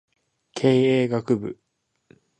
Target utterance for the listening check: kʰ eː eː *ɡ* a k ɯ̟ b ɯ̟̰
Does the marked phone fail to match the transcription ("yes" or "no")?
no